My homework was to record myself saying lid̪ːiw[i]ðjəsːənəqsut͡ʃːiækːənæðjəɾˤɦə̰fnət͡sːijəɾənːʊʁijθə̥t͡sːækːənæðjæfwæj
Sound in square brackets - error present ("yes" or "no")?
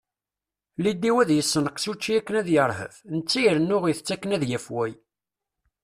yes